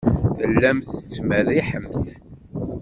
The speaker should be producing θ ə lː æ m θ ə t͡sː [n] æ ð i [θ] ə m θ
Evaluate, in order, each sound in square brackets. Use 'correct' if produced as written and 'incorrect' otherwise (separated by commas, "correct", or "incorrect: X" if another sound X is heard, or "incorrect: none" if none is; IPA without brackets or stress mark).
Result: incorrect: m, incorrect: ħ